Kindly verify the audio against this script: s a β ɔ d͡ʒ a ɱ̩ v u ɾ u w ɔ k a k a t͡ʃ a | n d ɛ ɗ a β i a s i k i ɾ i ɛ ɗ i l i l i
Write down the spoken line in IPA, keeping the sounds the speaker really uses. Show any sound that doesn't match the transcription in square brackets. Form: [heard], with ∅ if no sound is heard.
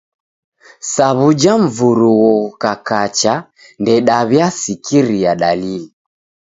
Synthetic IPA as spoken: s a β [u] d͡ʒ a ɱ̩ v u ɾ u w ɔ k a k a t͡ʃ a | n d ɛ ɗ a β [j] a s i k i ɾ i [a] ɗ [a] l i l i